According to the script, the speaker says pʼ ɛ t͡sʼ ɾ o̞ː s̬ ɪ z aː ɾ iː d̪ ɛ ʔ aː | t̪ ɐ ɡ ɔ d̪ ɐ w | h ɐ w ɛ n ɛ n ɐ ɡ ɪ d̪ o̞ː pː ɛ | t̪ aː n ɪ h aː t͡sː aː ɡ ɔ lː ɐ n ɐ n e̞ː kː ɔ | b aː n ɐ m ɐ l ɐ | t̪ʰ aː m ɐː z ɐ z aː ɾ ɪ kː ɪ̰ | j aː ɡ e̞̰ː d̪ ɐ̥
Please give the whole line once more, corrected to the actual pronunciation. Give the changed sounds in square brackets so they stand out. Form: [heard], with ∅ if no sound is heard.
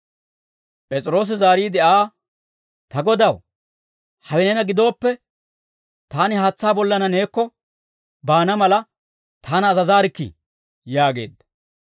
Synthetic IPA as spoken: pʼ ɛ t͡sʼ ɾ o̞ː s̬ ɪ z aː ɾ iː d̪ ɛ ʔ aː | t̪ ɐ ɡ ɔ d̪ ɐ w | h ɐ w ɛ n ɛ n ɐ ɡ ɪ d̪ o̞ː pː ɛ | t̪ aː n ɪ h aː t͡sː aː [b] ɔ lː ɐ n ɐ n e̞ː kː ɔ | b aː n ɐ m ɐ l ɐ | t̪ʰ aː [n] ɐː z ɐ z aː ɾ ɪ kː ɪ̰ | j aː ɡ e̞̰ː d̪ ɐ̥